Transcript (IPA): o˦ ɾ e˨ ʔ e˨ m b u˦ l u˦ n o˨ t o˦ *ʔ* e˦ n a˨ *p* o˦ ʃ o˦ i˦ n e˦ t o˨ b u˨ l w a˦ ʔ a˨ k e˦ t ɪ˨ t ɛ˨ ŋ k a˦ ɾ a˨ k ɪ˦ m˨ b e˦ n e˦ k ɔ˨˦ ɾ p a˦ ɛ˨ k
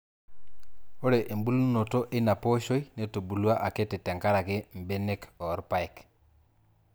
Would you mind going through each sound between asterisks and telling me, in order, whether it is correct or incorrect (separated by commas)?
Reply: correct, correct